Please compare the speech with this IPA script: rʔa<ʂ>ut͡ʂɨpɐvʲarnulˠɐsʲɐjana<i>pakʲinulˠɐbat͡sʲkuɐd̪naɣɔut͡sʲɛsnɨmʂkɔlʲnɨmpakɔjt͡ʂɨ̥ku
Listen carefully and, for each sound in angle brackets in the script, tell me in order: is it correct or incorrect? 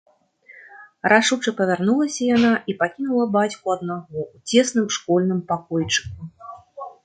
correct, correct

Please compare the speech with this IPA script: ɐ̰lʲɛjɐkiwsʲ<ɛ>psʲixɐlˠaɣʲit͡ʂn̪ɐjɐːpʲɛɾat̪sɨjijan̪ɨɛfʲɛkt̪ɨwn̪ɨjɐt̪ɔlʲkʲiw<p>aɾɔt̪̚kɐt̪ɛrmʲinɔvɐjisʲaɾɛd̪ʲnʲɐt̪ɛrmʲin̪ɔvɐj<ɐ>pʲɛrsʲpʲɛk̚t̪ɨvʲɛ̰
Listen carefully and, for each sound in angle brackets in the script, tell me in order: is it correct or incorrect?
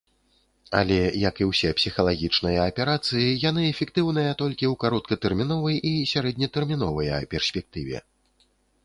correct, incorrect: k, correct

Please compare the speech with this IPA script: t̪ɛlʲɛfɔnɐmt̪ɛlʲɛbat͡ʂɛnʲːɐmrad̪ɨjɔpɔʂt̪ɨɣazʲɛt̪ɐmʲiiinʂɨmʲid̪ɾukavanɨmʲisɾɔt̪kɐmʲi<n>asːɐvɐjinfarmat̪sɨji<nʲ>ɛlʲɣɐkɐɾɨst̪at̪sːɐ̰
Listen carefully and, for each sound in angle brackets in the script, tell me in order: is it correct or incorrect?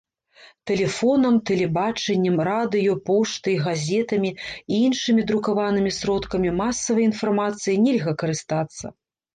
incorrect: m, correct

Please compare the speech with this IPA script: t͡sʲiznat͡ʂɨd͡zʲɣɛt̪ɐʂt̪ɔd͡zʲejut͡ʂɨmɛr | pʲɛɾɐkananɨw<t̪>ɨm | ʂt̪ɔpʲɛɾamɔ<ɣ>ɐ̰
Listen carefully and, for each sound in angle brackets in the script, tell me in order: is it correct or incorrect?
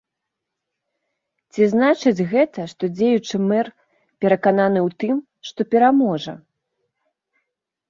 correct, incorrect: ʐ

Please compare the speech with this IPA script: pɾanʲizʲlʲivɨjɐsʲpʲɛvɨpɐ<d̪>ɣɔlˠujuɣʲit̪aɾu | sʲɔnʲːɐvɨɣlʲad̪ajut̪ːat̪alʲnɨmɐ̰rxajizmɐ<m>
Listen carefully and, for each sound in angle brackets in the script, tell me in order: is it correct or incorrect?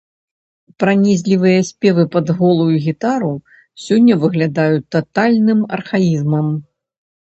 correct, correct

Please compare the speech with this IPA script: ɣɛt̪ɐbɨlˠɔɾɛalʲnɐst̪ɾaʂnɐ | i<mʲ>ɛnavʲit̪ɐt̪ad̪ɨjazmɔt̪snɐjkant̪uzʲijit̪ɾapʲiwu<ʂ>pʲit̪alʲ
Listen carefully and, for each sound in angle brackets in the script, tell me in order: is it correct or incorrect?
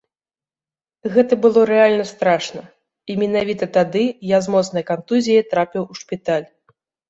correct, correct

